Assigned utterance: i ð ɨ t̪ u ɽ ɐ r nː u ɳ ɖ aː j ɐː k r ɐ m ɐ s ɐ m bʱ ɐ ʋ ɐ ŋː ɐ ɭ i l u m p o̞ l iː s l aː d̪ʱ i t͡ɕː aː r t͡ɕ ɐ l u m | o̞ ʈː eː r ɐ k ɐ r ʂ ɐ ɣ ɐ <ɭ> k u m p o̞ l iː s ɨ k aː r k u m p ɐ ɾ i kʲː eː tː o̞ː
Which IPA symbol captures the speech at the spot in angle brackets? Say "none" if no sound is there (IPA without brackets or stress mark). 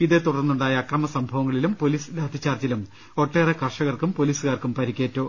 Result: r